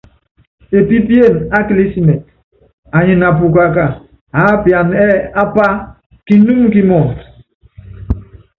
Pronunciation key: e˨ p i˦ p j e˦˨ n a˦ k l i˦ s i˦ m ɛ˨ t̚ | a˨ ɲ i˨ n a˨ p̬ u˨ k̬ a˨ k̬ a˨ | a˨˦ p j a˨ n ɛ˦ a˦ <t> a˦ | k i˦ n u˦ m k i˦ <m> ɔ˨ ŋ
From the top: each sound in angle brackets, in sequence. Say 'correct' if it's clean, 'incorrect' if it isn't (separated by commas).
incorrect, correct